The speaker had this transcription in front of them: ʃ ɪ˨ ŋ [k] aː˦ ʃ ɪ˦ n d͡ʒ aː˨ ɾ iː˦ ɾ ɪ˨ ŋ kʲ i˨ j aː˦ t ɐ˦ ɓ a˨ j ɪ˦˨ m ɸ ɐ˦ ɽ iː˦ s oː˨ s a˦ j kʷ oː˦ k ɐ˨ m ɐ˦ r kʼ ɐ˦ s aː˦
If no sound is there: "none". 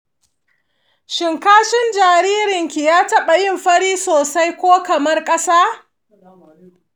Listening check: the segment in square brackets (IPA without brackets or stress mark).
k